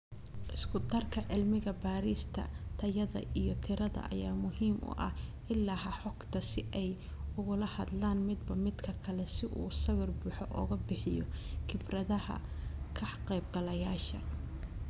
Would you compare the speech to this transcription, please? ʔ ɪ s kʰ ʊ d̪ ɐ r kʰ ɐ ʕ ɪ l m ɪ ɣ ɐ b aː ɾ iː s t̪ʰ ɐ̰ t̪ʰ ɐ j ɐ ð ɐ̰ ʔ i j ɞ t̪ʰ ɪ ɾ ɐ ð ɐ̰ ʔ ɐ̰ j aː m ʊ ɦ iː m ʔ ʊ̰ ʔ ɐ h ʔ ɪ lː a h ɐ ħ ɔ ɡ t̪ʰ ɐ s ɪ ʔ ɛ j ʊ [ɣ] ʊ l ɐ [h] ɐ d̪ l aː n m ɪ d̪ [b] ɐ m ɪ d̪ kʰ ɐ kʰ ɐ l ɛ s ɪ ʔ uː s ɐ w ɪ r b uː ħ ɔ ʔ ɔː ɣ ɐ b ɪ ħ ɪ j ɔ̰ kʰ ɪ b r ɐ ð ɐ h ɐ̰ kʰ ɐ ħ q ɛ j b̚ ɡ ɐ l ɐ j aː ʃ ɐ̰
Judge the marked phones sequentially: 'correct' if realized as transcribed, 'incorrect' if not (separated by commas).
correct, correct, correct